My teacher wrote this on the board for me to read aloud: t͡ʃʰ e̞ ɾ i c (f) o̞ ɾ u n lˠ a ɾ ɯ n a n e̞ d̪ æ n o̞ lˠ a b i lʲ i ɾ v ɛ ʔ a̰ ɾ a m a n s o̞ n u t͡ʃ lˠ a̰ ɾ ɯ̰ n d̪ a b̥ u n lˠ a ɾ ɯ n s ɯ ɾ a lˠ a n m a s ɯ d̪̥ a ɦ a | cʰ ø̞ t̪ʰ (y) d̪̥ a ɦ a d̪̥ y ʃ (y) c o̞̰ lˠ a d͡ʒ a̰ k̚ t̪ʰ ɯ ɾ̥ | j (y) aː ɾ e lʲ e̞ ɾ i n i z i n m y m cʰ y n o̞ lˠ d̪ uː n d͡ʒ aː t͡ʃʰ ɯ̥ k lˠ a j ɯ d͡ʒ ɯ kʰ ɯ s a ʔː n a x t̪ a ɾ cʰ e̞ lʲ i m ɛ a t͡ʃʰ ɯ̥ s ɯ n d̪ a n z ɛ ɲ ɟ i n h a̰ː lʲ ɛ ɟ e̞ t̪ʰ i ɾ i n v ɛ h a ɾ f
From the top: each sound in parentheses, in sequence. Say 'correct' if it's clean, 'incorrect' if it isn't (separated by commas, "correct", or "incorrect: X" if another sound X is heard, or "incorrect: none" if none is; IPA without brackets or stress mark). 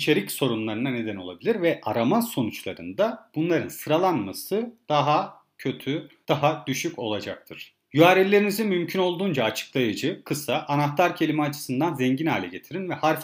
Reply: incorrect: s, correct, correct, correct